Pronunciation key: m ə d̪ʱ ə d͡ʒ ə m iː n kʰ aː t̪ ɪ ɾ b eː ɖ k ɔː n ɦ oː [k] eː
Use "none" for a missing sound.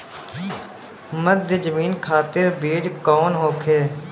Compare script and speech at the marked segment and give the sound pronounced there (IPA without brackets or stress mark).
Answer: kʰ